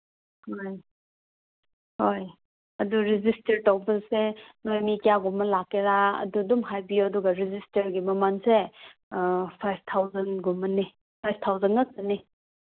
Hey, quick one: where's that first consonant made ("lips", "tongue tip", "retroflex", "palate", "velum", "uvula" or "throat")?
throat